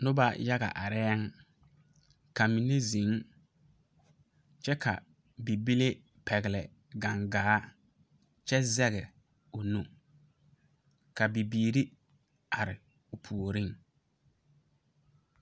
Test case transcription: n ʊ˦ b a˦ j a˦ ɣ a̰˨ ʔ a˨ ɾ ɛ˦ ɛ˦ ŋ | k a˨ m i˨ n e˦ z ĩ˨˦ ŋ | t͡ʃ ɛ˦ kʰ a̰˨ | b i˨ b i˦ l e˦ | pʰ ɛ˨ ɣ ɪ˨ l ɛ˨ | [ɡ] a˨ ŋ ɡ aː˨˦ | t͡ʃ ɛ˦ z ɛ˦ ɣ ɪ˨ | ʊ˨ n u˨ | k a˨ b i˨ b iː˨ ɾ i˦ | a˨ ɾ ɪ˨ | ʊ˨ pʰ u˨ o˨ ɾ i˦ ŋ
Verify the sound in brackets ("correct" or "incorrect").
correct